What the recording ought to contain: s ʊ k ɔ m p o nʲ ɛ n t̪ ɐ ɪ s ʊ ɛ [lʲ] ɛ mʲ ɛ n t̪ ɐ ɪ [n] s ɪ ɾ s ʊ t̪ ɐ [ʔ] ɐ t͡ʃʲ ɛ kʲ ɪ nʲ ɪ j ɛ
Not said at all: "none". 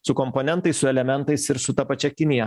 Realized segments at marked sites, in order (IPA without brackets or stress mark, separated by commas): lʲ, none, p